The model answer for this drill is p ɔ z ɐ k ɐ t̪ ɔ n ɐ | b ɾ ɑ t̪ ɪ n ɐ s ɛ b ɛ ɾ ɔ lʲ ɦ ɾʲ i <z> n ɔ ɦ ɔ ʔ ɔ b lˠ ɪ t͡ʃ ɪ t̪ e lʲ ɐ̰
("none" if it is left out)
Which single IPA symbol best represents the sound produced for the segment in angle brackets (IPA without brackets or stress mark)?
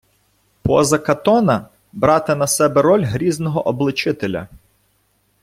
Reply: z